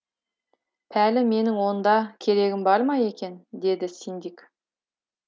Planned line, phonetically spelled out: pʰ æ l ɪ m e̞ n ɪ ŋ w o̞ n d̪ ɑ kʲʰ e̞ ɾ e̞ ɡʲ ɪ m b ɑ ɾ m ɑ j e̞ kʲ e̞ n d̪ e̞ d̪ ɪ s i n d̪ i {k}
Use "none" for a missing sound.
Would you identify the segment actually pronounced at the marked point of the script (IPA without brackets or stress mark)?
k